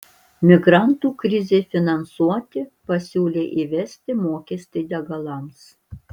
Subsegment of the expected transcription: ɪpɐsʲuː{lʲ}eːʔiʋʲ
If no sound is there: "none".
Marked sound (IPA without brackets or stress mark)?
lʲ